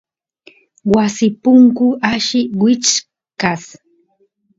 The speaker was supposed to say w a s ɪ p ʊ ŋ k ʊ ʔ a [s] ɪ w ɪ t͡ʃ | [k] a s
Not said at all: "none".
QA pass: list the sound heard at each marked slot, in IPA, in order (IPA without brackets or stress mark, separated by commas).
ʃ, k